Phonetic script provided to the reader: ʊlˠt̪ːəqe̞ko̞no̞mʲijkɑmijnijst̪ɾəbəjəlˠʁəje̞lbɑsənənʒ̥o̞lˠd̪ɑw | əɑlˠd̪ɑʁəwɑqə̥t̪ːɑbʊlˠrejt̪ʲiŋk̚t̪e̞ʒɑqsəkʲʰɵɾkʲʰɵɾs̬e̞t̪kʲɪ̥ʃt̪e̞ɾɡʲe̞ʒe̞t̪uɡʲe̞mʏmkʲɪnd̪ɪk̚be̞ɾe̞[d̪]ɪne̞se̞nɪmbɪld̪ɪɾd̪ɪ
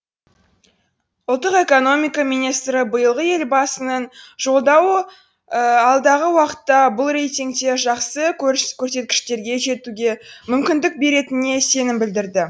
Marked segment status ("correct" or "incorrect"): incorrect